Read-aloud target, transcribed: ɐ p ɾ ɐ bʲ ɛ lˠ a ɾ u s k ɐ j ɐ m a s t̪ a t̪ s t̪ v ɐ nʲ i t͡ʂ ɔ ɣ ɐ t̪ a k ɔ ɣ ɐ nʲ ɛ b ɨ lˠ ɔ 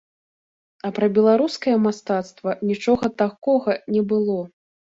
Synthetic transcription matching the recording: ɐ p ɾ ɐ bʲ ɛ lˠ a ɾ u s k ɐ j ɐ m a s t̪ a t̪ s t̪ v ɐ nʲ i t͡ʂ ɔ ɣ ɐ t̪ a k ɔ ɣ ɐ nʲ ɛ b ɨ lˠ ɔ

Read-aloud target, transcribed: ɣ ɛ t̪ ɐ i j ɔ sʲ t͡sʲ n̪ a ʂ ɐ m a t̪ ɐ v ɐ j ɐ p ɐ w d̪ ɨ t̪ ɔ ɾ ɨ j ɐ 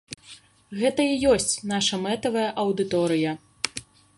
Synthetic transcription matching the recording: ɣ ɛ t̪ ɐ i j ɔ sʲ t͡sʲ n̪ a ʂ ɐ m ɛ t̪ ɐ v ɐ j ɐ ʔ ɐ w d̪ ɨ t̪ ɔ ɾ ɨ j ɐ

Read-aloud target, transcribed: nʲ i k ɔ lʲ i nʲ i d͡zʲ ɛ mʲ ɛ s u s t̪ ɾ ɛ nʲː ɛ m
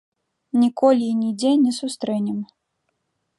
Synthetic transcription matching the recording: nʲ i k ɔ lʲ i nʲ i d͡zʲ ɛ nʲ ɛ s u s t̪ ɾ ɛ nʲ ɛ m

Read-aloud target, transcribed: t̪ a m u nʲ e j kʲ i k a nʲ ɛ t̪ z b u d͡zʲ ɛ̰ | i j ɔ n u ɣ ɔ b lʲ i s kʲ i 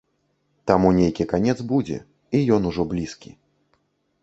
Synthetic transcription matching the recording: t̪ a m u nʲ e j kʲ i k a nʲ ɛ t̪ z b u d͡zʲ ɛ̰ | i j ɔ n u ʐ ɔ b lʲ i s kʲ i

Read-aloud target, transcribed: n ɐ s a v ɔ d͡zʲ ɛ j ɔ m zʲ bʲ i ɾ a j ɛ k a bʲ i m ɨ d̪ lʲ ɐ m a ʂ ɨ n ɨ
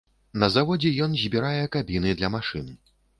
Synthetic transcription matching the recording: n ɐ z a v ɔ d͡zʲ ɛ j ɔ n zʲ bʲ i ɾ a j ɛ k a bʲ i n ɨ d̪ lʲ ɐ m a ʂ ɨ n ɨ

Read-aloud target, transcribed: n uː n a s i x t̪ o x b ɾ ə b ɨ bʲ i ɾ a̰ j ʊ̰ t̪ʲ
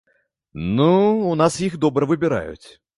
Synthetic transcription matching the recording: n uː n a s i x d̪ o b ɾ ə v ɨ bʲ ɪ ɾ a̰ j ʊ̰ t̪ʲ

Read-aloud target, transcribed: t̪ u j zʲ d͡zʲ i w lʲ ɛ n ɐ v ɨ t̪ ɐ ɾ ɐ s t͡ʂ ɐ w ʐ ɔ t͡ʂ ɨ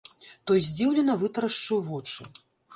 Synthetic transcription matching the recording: t̪ ɔ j zʲ d͡zʲ i w lʲ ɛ n ɐ v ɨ t̪ ɐ ɾ ɐ ʂ t͡ʂ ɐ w v ɔ t͡ʂ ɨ

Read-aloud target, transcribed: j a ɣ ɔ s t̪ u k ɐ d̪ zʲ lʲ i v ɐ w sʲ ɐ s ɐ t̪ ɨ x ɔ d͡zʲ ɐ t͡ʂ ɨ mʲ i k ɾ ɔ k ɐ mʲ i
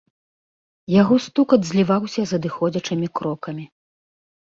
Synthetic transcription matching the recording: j a ɣ ɔ s t̪ u k ɐ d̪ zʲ lʲ i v a w sʲ ɐ z ɐ d̪ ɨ x ɔ d͡zʲ ɐ t͡ʂ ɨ mʲ i k ɾ ɔ k ɐ mʲ i

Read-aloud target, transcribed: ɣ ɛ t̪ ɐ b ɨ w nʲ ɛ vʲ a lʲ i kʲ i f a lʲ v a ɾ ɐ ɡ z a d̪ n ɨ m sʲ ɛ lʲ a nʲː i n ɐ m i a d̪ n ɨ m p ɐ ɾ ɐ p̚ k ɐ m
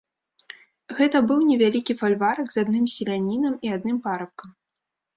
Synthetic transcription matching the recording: ɣ ɛ t̪ ɐ b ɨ w nʲ ɛ vʲ a lʲ i kʲ i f a lʲ v a ɾ ɐ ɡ z a d̪ n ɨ m sʲ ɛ lʲ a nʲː i n ɐ m i a d̪ n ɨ m p a ɾ ɐ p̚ k ɐ m

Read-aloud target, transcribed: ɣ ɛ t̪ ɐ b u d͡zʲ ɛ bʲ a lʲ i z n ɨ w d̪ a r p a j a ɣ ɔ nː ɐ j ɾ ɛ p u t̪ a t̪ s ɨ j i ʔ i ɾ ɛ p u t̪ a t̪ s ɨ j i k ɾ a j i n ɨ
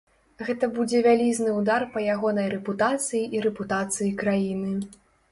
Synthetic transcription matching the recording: ɣ ɛ t̪ ɐ b u d͡zʲ ɛ vʲ a lʲ i z n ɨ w d̪ a r p ɐ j a ɣ ɔ n ɐ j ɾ ɛ p u t̪ a t̪ s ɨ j i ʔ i ɾ ɛ p u t̪ a t̪ s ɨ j i k ɾ a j i n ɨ

